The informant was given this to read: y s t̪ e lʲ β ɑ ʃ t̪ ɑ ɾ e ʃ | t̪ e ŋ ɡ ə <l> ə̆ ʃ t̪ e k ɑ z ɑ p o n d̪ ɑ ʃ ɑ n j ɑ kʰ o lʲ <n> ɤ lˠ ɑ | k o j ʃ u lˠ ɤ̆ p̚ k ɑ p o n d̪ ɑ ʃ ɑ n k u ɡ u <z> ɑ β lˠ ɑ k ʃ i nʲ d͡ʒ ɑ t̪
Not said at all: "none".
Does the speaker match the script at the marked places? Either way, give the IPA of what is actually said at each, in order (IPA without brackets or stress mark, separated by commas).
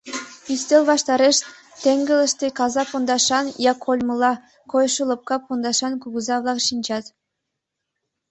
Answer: l, m, z